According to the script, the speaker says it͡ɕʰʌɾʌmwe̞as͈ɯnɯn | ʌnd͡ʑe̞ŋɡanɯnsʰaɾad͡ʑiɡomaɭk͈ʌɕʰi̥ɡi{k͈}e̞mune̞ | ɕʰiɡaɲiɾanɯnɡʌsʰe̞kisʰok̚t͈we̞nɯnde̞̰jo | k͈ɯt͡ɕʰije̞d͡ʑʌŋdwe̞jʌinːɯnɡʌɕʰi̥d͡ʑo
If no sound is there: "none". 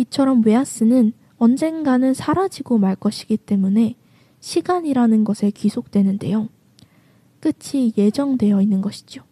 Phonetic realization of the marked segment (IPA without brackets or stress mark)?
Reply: t͈